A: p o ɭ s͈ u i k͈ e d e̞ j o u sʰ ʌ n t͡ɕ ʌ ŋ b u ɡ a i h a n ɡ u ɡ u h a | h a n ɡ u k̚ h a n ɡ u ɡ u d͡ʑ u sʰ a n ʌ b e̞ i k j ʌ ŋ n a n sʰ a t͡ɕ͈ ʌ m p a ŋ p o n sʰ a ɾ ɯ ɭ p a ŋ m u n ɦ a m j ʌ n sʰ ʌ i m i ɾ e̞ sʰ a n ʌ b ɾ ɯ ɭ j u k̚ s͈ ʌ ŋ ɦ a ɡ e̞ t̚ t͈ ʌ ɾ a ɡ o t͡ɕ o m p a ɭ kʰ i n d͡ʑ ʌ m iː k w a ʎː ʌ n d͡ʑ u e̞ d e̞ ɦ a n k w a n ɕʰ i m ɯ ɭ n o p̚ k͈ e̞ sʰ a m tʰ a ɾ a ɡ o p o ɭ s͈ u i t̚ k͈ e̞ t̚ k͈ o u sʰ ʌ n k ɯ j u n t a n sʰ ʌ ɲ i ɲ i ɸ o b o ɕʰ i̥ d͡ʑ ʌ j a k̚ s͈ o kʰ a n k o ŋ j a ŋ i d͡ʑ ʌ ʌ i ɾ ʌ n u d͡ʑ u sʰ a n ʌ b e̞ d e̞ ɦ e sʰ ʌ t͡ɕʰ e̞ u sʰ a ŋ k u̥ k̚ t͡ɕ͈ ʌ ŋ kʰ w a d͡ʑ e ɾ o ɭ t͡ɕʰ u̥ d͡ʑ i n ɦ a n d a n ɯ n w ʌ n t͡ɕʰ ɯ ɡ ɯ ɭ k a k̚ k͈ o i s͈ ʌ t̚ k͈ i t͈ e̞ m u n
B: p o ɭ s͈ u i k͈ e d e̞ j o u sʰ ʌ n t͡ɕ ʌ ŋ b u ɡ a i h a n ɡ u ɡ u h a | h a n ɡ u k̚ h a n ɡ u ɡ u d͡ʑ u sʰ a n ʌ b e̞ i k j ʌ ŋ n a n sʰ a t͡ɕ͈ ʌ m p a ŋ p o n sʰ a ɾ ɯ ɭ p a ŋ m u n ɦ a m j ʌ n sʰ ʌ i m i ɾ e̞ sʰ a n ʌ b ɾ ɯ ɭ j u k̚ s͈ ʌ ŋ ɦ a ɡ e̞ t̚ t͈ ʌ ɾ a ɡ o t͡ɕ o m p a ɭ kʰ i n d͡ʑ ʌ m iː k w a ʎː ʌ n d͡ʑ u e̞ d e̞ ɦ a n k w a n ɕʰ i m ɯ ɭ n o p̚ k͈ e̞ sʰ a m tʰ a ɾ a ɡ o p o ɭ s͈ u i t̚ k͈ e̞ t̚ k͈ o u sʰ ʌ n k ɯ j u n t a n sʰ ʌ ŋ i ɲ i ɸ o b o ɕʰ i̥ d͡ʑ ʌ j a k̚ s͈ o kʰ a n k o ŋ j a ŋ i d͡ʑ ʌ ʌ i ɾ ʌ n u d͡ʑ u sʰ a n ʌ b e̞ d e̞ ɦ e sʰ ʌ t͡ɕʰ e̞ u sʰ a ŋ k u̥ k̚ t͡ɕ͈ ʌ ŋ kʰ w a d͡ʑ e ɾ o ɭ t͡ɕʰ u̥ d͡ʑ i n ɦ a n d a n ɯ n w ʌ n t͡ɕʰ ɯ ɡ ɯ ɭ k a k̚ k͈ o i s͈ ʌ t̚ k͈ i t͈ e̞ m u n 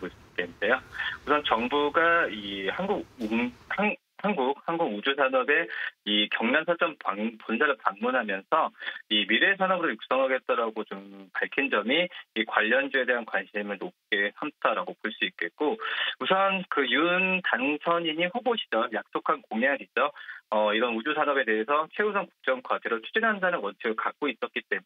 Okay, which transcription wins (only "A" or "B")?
A